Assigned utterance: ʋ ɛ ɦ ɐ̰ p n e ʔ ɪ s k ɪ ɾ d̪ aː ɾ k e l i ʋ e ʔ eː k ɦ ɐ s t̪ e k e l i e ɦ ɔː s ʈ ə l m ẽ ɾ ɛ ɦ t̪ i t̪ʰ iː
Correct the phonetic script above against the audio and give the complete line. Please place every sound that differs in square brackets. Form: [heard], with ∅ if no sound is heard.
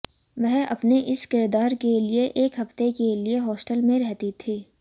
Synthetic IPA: ʋ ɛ ɦ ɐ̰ p n e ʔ ɪ s k ɪ ɾ d̪ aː ɾ k e l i [∅] e ʔ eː k ɦ ɐ [f] t̪ e k e l i e ɦ ɔː s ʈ ə l m ẽ ɾ ɛ ɦ t̪ i t̪ʰ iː